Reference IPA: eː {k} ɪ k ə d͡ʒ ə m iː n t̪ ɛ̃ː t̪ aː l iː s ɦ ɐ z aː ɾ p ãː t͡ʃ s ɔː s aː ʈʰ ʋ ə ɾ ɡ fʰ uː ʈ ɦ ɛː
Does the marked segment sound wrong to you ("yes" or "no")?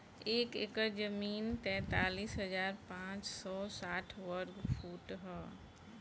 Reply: no